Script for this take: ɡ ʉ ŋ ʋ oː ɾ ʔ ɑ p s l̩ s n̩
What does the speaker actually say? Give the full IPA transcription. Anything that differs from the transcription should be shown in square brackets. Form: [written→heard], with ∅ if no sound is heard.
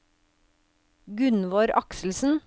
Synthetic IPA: ɡ ʉ [ŋ→n] ʋ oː ɾ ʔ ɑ [p→k] s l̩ s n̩